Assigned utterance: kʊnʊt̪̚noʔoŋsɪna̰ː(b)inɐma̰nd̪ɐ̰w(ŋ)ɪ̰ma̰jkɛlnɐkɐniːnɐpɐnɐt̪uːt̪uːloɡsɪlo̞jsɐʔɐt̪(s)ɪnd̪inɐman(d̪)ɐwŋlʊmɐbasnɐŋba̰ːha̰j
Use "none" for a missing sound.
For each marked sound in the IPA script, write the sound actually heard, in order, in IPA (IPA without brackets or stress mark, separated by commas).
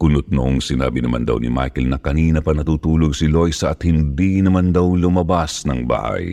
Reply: b, n, h, d̪